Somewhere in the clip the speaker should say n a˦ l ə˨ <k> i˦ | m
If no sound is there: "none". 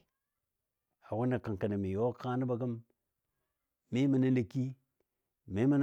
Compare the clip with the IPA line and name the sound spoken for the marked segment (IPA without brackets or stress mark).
k